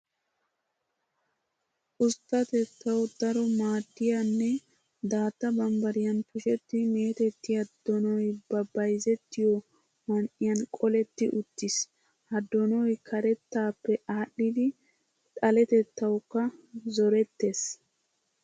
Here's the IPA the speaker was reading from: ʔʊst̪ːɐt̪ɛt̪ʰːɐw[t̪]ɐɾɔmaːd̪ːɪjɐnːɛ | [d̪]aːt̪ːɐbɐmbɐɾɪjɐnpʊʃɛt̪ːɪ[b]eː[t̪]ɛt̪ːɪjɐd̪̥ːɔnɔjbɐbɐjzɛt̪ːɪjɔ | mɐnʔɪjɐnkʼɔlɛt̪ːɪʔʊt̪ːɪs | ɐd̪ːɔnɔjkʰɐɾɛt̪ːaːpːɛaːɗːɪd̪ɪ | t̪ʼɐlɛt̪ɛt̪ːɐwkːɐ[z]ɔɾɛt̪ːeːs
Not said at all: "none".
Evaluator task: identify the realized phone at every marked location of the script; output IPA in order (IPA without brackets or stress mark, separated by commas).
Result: d̪, d̪, m, t̪, z